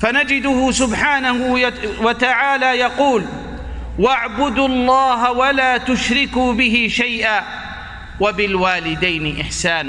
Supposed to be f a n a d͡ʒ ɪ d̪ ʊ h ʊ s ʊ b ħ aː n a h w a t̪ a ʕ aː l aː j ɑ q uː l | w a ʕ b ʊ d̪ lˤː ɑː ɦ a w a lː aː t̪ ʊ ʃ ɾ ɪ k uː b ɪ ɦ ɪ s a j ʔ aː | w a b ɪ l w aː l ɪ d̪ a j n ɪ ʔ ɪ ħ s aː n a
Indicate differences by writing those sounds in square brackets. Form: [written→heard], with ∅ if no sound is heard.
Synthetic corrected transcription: f a n a d͡ʒ ɪ d̪ ʊ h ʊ s ʊ b ħ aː n a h w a t̪ a ʕ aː l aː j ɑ q uː l | w a ʕ b ʊ d̪ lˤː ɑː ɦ a w a [lː→l] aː t̪ ʊ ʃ ɾ ɪ k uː b ɪ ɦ ɪ [s→ʃ] a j ʔ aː | w a b ɪ l w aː l ɪ d̪ a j n ɪ ʔ ɪ ħ s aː n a